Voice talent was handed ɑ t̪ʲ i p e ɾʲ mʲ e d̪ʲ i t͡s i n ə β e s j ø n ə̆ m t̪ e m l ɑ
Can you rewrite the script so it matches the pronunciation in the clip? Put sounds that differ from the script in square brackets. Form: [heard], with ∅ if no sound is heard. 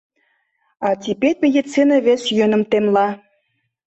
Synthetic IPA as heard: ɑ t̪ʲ i p e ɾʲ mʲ e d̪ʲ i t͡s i n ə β e s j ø n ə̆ m t̪ e m l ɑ